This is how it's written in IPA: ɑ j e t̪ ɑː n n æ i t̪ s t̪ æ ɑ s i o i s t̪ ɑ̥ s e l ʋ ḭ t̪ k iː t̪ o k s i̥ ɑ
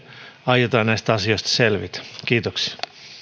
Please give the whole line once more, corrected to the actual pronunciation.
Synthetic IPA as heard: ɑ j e t̪ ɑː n n æ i s t̪ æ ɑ s i o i s t̪ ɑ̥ s e l ʋ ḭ t̪ k iː t̪ o k s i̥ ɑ

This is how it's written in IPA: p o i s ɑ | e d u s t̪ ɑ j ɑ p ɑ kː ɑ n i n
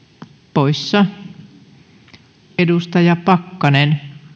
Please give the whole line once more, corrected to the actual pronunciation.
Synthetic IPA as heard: p o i sː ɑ | e d u s t̪ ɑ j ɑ p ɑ kː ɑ n e n

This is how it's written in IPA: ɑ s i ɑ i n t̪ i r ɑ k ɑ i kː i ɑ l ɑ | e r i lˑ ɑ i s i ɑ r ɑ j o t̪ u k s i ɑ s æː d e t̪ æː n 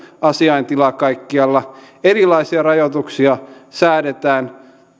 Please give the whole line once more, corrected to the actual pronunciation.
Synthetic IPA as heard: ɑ s i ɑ i n t̪ i l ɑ k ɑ i kː i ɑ lː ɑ | e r i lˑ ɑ i s i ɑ r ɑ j o t̪ u k s i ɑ s æː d e t̪ æː n

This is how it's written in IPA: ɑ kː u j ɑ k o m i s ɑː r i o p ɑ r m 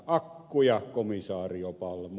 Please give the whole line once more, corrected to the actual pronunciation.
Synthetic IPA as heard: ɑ kː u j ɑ k o m i s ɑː r i o p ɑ l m

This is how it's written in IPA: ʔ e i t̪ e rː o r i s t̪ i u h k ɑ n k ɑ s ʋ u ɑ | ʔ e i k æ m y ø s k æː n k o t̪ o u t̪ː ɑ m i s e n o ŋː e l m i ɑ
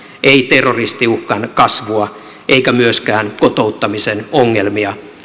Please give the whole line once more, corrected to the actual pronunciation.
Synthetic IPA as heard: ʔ e i t̪ e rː o r i s t̪ i u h k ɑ n k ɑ s ʋ u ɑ | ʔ e i k æ m y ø s k æː n k o t̪ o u t̪ː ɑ m i s e n o ŋː e l m i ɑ

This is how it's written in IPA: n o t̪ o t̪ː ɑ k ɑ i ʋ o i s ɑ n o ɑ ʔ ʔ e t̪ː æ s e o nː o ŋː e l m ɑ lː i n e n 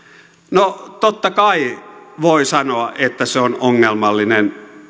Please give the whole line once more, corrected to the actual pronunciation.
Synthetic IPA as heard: n o t̪ o t̪ː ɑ k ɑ i ʋ o i s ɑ n o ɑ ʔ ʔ e t̪ː æ s e o n o ŋː e l m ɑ lː i n e n

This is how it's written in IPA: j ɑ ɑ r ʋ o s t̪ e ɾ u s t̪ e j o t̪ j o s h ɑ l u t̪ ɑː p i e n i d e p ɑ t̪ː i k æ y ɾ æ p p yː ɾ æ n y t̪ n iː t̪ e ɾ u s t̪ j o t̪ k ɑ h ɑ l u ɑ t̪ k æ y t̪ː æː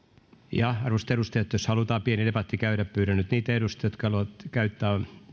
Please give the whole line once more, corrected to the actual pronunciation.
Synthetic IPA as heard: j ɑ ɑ r ʋ o s t̪ e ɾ u s t̪ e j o t̪ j o s h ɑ l u t̪ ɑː p i e n i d e p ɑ t̪ː i k æ y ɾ æ p p yː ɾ æ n y t̪ n iː t̪ e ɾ u s t̪ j o t̪ k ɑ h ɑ l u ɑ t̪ k æ y t̪ː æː

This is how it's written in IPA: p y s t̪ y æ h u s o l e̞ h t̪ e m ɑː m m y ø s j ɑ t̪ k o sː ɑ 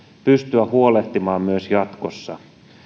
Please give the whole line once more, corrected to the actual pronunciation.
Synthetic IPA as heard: p y s t̪ y æ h u o l e̞ h t̪ i m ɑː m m y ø s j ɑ t̪ k o sː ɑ

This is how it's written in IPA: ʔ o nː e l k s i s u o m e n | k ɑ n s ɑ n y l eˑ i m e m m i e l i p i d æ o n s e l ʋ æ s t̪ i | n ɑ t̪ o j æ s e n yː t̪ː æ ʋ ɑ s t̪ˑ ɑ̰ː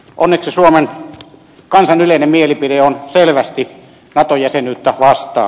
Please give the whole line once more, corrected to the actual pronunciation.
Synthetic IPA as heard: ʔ o nː e k s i s u o m e n | k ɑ n s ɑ n y l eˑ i n e m m i e l i p i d e o n s e l ʋ æ s t̪ i | n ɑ t̪ o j æ s e n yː t̪ː æ ʋ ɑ s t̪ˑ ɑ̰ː

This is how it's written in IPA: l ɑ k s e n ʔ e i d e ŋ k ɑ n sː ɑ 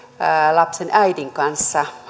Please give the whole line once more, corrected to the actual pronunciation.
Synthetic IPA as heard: l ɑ p s e n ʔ æ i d i ŋ k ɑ n sː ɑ

